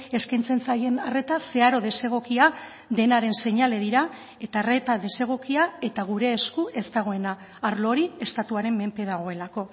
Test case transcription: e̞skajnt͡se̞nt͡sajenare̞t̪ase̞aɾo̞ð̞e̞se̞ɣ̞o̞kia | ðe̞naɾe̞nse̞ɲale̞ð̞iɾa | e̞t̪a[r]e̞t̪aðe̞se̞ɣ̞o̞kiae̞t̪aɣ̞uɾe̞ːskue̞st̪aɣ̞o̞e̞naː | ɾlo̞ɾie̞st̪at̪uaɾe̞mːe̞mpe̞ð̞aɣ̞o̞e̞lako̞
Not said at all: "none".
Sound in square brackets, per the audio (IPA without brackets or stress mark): r